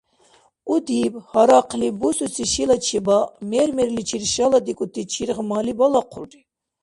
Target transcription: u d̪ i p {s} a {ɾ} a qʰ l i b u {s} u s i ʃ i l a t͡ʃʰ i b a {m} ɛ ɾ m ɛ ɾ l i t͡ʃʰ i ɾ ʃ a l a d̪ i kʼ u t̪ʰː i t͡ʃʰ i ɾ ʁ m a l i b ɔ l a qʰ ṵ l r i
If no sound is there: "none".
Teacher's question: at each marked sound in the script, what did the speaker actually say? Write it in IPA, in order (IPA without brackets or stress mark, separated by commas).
h, ɾ, s, m